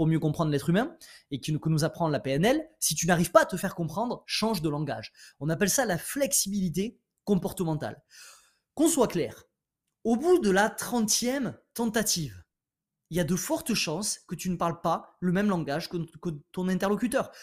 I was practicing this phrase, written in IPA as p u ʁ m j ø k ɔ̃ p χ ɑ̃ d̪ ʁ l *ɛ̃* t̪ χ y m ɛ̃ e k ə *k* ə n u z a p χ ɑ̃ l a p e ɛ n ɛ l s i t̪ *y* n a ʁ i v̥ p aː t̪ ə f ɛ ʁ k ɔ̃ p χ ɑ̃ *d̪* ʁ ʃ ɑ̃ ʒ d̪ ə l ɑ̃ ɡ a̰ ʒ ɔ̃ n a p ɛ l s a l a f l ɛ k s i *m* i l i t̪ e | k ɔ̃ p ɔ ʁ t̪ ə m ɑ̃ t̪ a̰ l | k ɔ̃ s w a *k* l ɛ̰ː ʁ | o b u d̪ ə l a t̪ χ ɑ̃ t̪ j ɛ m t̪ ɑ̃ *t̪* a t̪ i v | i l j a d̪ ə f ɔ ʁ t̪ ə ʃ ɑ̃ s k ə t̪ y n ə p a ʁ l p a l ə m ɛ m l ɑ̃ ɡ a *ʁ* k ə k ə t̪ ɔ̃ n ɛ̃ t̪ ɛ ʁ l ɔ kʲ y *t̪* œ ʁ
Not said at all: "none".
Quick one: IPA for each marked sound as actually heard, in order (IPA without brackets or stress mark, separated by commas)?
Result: ɛ, k, y, d̪, b, k, t̪, ʒ, t̪